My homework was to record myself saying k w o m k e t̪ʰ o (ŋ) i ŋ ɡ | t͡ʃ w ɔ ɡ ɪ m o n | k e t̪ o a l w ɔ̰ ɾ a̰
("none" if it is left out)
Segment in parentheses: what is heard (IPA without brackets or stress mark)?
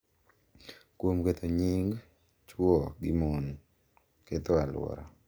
ɲ